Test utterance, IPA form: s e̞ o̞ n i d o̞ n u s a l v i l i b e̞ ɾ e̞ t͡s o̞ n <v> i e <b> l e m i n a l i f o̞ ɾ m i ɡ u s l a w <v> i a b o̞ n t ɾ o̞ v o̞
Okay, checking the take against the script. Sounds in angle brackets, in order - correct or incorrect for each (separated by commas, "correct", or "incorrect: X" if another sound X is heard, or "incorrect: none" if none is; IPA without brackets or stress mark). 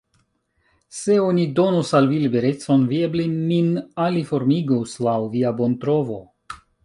correct, correct, correct